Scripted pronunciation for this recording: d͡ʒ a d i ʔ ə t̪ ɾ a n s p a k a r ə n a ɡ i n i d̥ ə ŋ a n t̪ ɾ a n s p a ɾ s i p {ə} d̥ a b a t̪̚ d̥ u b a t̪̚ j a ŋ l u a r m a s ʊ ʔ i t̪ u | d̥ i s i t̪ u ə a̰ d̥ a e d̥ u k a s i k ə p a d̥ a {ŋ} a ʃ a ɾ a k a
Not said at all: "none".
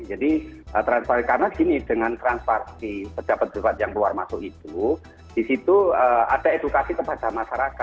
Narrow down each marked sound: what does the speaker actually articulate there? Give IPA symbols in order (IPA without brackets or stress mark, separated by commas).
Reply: ə, m